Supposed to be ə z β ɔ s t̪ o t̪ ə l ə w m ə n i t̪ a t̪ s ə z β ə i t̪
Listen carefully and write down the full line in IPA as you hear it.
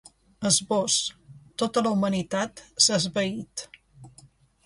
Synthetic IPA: ə z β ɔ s t̪ o t̪ ə l ə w m ə n i t̪ a t̪ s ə z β ə i t̪